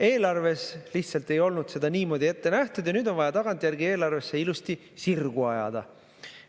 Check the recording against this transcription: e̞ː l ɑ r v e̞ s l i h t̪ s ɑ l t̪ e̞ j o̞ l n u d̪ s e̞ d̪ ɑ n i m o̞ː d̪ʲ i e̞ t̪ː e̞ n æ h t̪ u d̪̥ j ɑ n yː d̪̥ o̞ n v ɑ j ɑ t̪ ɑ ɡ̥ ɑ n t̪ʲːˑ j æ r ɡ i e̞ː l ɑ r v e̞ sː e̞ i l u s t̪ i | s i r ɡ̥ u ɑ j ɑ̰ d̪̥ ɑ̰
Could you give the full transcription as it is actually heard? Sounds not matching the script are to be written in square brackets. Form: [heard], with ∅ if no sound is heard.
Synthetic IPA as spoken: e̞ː l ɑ r v e̞ s l i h t̪ s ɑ l t̪ e̞ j o̞ l n u d̪ s e̞ d̪ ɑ n [iː] m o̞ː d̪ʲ i e̞ t̪ː e̞ n æ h t̪ u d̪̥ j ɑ n yː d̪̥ o̞ n v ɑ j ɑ t̪ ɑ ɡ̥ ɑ n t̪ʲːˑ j æ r ɡ i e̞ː l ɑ r v e̞ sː e̞ i l u s t̪ i | s i r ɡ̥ u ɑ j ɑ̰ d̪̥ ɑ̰